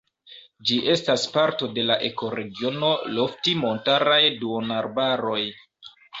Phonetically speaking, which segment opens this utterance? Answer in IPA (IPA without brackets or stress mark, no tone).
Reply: d͡ʒ